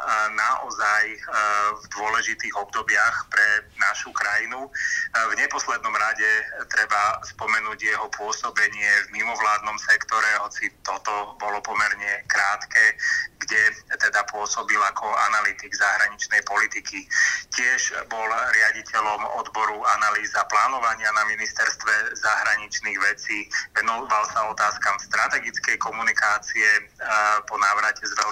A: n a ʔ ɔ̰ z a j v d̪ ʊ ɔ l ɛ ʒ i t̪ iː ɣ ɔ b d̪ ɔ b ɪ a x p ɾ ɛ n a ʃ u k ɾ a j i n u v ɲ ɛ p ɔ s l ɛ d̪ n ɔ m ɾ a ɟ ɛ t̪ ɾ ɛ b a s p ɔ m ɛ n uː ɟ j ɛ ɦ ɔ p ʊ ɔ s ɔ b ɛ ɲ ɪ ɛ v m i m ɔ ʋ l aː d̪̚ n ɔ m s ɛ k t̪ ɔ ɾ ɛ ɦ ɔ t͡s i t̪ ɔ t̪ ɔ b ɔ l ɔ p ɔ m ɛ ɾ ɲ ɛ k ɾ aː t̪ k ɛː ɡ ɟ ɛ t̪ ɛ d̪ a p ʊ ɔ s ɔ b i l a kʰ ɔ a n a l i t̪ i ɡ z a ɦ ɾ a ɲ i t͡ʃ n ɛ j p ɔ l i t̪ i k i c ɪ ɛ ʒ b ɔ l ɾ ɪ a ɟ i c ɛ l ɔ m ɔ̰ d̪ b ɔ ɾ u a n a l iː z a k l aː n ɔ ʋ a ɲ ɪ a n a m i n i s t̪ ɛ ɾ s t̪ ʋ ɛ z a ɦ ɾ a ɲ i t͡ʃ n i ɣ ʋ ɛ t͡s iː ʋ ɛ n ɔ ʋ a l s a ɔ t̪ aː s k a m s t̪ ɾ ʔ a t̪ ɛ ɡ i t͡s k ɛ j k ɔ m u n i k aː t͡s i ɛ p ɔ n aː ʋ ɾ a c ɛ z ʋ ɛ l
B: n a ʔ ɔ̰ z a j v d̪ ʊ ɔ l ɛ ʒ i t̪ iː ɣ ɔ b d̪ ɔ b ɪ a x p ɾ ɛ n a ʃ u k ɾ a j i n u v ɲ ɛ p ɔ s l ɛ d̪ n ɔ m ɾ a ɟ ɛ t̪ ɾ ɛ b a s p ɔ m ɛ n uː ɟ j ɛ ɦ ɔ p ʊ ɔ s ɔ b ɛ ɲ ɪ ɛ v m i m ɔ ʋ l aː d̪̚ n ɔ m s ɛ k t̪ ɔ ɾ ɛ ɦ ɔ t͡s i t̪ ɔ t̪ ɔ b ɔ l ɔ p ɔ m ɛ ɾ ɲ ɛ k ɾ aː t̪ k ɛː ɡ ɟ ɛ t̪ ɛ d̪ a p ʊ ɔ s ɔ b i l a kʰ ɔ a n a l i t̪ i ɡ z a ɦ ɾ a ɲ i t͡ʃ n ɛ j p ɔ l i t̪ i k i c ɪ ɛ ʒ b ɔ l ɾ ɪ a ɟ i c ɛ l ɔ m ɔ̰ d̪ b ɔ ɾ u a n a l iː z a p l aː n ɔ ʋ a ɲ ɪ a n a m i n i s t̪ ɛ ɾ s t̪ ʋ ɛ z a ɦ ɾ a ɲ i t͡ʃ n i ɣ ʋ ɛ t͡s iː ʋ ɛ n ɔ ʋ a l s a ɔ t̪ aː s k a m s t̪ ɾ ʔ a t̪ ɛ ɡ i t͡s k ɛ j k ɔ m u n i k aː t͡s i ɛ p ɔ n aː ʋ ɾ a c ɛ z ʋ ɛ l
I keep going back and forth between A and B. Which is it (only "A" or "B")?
B